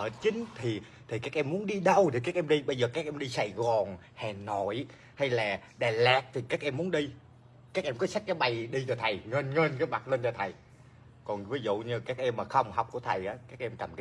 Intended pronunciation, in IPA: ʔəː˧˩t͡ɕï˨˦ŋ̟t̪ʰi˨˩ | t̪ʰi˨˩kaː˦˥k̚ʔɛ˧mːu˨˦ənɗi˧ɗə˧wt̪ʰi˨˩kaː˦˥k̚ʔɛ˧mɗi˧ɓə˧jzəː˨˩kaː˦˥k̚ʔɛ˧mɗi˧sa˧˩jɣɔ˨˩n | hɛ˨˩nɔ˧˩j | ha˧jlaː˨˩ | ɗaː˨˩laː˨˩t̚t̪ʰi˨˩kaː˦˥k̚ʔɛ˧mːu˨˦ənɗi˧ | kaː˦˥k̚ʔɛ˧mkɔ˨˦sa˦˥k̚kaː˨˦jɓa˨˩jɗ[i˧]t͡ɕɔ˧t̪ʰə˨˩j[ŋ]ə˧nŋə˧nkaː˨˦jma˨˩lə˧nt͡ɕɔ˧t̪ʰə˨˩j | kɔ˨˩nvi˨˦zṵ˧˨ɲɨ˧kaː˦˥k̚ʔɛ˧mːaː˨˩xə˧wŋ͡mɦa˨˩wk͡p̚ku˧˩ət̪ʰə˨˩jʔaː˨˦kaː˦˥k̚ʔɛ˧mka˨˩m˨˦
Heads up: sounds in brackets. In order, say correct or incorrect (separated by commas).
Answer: correct, correct